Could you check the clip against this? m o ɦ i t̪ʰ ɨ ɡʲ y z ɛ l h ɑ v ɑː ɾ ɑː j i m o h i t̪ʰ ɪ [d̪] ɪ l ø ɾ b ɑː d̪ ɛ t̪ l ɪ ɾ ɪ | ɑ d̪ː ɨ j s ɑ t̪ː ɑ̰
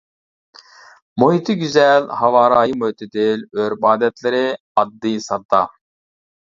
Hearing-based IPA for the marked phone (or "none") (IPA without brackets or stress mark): d̪